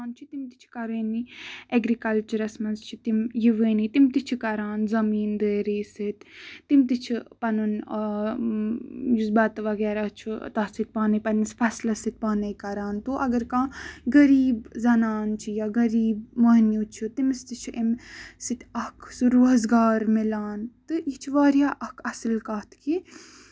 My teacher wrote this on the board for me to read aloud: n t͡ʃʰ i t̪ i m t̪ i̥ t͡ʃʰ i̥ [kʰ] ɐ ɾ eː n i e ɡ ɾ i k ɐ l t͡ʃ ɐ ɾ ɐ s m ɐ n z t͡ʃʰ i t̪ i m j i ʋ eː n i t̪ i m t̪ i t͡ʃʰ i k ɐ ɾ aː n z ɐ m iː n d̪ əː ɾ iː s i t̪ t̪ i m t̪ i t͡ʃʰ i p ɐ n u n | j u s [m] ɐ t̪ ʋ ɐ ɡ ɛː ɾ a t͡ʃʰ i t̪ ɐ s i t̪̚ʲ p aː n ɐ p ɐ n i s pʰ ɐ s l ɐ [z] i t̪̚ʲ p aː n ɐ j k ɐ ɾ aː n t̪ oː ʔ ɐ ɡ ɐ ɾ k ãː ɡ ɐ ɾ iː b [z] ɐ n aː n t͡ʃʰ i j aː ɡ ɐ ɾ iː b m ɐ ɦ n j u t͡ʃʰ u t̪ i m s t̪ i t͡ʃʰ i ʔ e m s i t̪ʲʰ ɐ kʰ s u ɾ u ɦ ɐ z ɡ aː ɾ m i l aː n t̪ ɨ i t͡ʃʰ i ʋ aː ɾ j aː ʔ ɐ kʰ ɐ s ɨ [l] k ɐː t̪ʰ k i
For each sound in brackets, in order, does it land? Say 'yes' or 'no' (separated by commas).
no, no, no, yes, yes